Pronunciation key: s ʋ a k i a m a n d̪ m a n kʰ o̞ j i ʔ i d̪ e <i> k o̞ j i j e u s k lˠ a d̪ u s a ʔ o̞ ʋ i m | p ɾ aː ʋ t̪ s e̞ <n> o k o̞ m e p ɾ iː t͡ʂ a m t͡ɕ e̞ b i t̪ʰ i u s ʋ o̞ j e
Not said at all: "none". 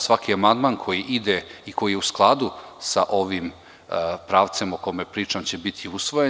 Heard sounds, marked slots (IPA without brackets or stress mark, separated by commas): i, m